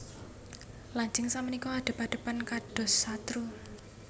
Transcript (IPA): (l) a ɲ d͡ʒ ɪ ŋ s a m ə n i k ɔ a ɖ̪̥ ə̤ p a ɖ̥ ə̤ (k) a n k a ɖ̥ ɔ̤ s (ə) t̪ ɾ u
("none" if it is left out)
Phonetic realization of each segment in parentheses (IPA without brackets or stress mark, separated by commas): l, p, a